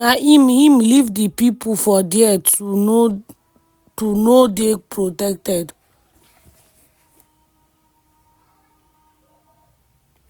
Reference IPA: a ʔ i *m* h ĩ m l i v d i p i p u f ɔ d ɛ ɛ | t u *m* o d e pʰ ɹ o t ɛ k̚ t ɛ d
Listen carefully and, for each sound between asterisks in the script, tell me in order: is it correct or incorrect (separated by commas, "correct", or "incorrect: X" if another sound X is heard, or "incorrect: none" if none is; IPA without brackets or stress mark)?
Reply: correct, incorrect: n